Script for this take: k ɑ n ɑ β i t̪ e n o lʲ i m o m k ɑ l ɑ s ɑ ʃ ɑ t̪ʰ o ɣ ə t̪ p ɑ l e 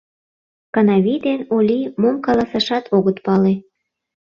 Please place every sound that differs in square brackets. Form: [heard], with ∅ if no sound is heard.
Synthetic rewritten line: k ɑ n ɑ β i [d̪] e n o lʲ i m o m k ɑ l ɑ s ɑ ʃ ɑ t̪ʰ o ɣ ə t̪ p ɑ l e